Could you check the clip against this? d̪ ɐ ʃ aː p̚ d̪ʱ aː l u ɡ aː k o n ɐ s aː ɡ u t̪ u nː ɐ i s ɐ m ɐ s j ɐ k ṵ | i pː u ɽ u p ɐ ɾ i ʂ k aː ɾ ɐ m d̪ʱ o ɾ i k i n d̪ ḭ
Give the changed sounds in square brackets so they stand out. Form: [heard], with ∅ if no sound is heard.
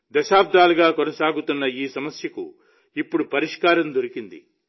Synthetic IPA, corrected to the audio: d̪ ɐ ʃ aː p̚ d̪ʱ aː l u ɡ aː k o n ɐ s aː ɡ u t̪ u nː ɐ [iː] s ɐ m ɐ s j ɐ k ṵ | i pː u ɽ u p ɐ ɾ i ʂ k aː ɾ ɐ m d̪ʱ o ɾ i k i n d̪ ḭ